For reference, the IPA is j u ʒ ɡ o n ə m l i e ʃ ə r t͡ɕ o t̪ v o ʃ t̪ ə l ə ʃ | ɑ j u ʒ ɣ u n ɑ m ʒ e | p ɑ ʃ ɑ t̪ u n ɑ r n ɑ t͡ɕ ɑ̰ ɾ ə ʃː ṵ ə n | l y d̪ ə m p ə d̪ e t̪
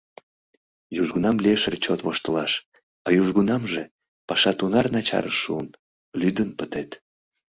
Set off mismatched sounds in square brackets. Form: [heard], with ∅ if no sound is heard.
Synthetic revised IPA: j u ʒ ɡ [u] n [ɑ] m l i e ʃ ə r t͡ɕ o t̪ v o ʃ t̪ ə l [ɑ] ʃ | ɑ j u ʒ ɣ u n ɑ m ʒ e | p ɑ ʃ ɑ t̪ u n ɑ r n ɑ t͡ɕ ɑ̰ ɾ ə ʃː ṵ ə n | l y d̪ ə [n] p ə [t̪] e t̪